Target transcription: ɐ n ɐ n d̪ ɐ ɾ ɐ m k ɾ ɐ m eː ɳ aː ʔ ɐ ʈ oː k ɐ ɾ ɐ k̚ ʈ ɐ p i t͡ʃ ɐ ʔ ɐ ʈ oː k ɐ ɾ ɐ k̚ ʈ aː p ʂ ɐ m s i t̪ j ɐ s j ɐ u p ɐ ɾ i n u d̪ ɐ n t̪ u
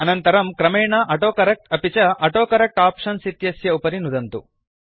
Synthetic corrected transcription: ɐ n ɐ n t̪ ɐ ɾ ɐ m k ɾ ɐ m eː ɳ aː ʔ ɐ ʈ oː k ɐ ɾ ɐ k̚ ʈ ɐ p i t͡ʃ ɐ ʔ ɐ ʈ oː k ɐ ɾ ɐ k̚ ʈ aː p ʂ ɐ n s i t̪ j ɐ s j ɐ u p ɐ ɾ i n u d̪ ɐ n t̪ u